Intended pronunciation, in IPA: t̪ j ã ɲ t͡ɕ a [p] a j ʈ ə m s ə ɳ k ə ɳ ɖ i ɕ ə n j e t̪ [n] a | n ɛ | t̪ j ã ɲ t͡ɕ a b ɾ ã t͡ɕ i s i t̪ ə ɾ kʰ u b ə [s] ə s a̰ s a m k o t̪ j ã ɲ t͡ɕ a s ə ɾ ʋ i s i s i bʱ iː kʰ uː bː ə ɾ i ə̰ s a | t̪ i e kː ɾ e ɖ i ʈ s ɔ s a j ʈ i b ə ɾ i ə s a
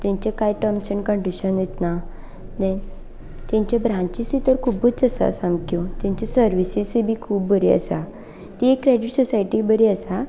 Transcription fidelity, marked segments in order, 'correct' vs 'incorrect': incorrect, correct, incorrect

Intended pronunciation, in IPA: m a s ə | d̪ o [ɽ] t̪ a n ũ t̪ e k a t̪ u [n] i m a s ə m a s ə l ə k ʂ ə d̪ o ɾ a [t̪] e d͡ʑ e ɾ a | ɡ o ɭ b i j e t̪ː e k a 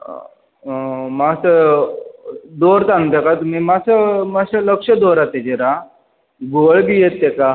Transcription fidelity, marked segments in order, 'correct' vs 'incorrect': incorrect, incorrect, correct

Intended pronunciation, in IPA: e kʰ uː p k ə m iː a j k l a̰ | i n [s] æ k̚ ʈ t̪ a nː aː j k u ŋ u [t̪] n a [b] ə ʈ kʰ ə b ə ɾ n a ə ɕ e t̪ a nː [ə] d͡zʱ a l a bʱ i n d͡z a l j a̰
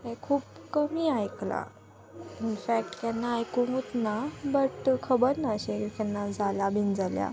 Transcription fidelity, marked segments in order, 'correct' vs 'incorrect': incorrect, correct, correct, incorrect

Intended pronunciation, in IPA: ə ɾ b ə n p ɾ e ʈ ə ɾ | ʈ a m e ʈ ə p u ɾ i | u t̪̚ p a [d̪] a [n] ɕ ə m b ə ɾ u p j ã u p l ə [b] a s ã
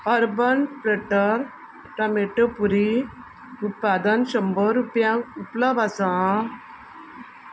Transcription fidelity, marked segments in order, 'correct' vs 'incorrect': correct, correct, correct

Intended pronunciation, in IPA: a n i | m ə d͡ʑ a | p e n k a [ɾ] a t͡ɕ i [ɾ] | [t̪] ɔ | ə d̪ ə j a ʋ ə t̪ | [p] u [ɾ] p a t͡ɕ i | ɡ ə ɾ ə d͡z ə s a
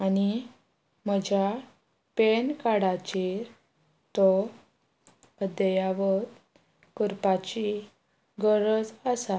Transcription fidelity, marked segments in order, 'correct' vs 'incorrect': incorrect, correct, correct, incorrect, correct

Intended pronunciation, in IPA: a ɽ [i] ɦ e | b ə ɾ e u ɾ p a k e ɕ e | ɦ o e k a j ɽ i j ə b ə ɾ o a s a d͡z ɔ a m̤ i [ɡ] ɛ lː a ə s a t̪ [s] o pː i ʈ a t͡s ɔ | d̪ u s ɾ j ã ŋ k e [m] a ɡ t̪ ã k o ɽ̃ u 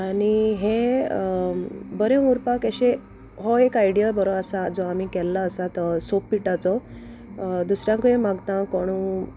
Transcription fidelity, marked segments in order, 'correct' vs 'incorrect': correct, incorrect, correct, correct

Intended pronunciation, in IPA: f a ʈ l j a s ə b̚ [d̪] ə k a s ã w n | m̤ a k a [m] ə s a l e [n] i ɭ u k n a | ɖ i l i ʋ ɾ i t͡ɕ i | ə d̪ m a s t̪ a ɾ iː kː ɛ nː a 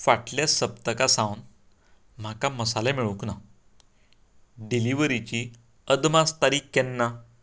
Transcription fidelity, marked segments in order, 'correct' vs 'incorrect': incorrect, correct, incorrect

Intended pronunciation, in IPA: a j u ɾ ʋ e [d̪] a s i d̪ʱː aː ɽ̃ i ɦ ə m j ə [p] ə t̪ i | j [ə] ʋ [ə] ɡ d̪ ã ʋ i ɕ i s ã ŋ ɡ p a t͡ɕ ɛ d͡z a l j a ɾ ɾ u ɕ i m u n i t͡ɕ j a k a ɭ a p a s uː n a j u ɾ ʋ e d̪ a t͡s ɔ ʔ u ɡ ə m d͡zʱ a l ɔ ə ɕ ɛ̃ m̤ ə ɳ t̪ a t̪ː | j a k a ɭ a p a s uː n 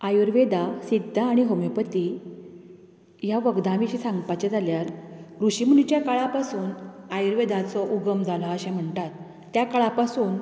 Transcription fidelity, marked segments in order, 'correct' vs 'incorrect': correct, correct, incorrect, correct

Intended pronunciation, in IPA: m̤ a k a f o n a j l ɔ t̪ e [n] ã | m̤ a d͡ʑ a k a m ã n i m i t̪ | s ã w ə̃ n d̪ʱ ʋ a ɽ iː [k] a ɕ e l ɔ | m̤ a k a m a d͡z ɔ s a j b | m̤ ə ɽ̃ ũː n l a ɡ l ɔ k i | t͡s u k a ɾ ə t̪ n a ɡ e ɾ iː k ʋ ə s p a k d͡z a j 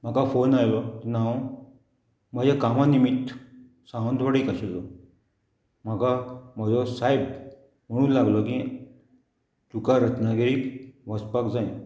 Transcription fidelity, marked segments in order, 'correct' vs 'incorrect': correct, correct

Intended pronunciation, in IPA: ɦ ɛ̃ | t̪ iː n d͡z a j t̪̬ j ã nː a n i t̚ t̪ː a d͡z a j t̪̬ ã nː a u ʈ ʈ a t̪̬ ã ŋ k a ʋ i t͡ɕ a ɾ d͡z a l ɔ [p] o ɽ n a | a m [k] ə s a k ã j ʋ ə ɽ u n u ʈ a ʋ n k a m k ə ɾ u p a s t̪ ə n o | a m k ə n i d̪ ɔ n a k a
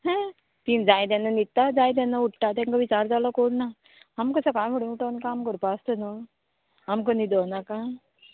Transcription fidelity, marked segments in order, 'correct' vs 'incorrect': incorrect, correct

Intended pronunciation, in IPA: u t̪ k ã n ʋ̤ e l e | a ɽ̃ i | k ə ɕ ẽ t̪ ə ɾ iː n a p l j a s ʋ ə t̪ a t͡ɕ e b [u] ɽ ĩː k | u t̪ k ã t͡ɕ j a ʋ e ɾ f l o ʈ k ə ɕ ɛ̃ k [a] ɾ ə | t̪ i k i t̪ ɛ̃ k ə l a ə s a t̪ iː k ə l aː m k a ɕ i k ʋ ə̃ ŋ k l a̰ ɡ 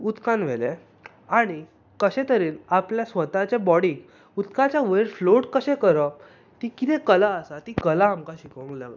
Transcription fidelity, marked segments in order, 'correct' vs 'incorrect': incorrect, incorrect

